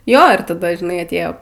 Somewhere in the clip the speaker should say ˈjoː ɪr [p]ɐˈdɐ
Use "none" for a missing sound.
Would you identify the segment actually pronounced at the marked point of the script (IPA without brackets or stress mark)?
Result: t